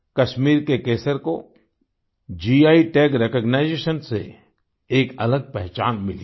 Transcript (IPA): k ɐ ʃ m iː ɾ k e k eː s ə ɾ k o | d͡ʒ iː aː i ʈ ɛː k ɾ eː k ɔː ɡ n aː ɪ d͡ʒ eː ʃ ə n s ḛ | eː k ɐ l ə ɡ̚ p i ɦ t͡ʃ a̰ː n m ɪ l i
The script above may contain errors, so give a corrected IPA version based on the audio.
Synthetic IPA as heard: k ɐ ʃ m iː ɾ k e k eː s ə ɾ k o | d͡ʒ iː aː i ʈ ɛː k ɾ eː k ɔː ɡ n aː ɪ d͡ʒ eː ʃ ə n s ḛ | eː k ɐ l ə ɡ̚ p ɛ ɦ t͡ʃ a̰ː n m ɪ l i